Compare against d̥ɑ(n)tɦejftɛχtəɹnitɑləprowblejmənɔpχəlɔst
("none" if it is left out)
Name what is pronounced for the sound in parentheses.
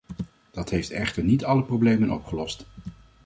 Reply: none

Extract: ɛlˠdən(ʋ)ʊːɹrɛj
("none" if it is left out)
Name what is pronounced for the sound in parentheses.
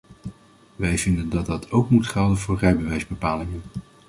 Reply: v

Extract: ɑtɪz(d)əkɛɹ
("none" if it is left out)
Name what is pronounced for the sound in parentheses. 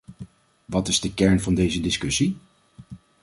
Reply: d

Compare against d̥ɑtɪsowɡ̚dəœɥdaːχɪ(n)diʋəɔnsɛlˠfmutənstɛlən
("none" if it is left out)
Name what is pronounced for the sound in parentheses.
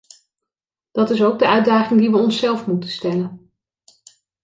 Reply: ŋ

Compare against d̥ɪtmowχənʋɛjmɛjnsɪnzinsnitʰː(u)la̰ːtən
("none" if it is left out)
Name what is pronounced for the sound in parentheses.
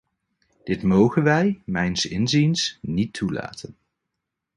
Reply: u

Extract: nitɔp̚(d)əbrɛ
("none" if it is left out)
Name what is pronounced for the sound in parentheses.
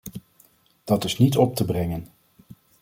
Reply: t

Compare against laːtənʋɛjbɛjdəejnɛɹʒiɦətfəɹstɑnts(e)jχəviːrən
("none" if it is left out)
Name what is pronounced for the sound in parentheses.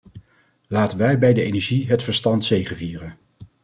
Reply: e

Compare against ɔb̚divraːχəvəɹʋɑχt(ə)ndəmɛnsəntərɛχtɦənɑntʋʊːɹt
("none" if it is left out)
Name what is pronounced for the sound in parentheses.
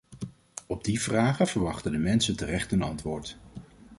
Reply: ə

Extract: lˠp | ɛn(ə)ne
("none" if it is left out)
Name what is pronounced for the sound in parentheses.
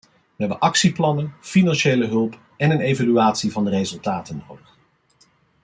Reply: ə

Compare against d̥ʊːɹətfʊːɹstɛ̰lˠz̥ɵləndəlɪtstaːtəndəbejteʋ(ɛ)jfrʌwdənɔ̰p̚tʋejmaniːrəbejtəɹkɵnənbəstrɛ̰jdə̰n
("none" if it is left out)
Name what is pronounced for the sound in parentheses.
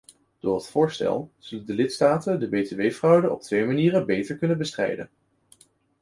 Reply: e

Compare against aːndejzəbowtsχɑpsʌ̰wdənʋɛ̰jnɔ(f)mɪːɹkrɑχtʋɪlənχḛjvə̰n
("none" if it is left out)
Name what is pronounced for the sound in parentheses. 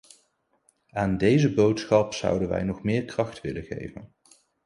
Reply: χ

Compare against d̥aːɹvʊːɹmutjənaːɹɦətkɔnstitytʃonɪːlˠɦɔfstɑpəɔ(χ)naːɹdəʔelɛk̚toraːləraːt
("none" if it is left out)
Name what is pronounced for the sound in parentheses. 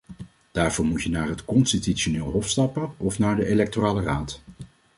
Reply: f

